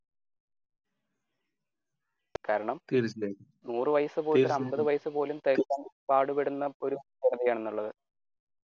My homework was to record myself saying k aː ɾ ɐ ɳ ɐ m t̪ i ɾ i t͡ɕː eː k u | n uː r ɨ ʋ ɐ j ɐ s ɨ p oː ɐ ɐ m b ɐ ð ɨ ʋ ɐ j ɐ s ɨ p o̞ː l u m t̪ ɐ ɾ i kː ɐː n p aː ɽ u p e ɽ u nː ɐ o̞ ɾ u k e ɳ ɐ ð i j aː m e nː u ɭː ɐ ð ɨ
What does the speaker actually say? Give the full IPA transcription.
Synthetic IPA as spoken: k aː ɾ ɐ ɳ ɐ m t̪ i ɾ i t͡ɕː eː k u | n uː r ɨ ʋ ɐ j ɐ s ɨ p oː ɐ ɐ m b ɐ ð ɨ ʋ ɐ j ɐ s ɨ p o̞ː l u m t̪ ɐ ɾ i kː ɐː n p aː ɽ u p e ɽ u nː ɐ o̞ ɾ u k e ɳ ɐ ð i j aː ɳ e nː u ɭː ɐ ð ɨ